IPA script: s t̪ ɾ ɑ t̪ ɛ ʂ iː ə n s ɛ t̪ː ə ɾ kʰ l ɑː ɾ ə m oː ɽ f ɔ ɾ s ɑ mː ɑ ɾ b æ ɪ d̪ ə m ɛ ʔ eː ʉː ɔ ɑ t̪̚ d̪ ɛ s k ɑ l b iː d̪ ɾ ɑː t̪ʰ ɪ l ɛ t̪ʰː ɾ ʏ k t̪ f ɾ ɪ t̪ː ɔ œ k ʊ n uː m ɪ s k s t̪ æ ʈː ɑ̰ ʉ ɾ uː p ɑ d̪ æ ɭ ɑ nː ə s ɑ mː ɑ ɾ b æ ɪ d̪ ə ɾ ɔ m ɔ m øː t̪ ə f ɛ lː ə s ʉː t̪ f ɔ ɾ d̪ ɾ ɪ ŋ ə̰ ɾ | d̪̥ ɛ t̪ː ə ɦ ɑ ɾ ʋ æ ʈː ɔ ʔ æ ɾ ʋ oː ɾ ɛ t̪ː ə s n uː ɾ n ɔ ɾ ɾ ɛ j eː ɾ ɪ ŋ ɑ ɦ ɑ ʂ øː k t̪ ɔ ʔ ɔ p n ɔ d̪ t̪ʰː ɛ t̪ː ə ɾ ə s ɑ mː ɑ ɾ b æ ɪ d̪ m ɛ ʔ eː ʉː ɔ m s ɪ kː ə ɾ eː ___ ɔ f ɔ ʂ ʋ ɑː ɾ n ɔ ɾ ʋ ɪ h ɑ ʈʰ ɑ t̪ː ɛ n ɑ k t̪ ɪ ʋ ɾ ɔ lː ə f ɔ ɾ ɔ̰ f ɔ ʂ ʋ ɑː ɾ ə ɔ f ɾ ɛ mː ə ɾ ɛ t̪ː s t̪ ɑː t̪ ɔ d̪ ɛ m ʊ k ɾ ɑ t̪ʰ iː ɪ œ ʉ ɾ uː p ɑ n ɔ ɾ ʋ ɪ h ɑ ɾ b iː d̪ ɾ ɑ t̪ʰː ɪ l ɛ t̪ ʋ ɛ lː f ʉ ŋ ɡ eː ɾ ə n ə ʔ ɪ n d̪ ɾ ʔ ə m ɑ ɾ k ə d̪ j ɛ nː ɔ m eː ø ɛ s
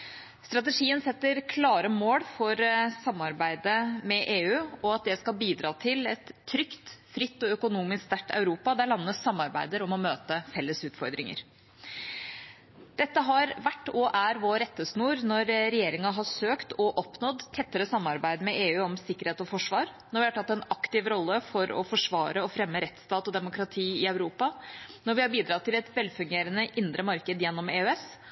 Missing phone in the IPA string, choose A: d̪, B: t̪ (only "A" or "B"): B